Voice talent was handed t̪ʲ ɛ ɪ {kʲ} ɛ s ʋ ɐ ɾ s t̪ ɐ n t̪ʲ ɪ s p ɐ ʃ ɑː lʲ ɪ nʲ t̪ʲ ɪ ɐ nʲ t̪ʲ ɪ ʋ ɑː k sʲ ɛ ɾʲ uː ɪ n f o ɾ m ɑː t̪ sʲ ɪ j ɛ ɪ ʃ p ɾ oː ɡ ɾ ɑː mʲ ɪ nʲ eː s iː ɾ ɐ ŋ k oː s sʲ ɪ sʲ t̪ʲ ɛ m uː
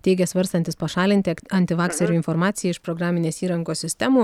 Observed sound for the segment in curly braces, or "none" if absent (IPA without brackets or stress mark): ɡʲ